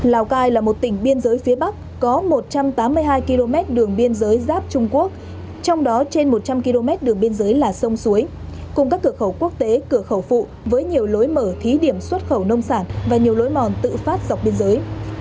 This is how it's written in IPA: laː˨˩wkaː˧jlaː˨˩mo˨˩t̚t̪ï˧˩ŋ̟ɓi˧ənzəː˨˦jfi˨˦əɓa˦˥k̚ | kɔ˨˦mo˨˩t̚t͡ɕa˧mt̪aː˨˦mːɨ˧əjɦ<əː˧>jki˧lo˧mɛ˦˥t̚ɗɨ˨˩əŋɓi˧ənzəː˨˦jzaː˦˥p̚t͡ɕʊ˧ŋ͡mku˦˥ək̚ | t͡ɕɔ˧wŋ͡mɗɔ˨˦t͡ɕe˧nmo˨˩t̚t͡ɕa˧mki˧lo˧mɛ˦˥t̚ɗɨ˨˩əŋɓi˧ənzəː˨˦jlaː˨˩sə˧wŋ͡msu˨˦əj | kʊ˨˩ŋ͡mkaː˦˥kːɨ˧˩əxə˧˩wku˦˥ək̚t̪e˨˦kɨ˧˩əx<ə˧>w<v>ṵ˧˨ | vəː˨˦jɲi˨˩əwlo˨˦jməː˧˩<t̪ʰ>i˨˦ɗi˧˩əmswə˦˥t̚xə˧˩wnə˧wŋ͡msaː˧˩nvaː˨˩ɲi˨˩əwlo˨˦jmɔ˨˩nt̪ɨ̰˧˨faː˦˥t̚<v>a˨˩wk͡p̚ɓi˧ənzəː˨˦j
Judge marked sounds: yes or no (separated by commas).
no, no, no, yes, no